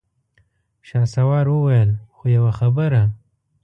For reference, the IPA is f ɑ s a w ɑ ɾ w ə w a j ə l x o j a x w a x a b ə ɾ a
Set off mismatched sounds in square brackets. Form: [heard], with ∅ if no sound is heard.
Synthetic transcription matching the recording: [ʃ] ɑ s a w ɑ ɾ w ə w a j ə l x o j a [∅] w a x a b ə ɾ a